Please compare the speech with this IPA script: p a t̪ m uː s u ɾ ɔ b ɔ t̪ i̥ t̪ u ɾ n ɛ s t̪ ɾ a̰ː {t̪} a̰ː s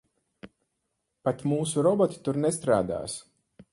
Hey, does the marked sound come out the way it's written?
no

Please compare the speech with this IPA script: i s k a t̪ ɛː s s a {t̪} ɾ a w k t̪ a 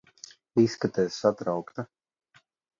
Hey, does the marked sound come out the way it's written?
yes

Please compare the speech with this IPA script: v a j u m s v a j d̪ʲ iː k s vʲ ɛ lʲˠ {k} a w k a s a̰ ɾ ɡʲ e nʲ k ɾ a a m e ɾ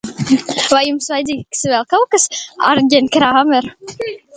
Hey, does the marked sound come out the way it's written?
yes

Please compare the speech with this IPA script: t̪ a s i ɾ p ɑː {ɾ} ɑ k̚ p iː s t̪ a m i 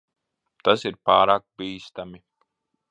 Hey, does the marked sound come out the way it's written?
yes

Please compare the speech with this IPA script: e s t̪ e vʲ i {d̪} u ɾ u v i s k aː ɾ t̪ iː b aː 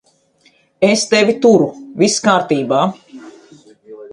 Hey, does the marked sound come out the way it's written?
no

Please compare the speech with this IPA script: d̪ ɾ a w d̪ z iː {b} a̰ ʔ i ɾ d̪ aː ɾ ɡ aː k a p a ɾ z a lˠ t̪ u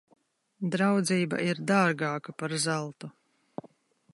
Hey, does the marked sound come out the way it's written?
yes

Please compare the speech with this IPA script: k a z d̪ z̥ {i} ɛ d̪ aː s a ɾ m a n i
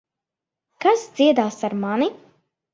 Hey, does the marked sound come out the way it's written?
yes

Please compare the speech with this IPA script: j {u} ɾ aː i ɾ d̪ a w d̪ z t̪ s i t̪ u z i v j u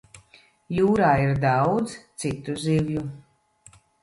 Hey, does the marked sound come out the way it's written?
no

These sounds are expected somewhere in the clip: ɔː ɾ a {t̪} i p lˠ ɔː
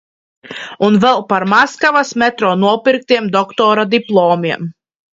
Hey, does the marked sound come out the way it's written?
no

